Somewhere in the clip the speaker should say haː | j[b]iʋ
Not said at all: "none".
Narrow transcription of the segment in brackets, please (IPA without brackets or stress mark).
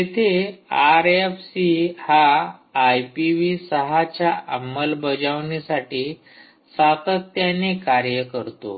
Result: p